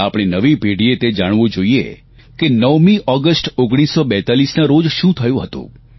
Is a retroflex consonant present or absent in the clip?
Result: present